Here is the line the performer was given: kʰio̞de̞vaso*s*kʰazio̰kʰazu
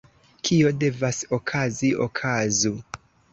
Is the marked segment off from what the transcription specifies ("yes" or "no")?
yes